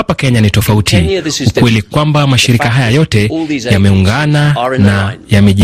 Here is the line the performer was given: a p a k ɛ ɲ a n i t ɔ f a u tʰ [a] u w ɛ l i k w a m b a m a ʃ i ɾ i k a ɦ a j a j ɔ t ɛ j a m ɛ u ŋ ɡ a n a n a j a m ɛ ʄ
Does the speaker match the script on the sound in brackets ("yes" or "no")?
no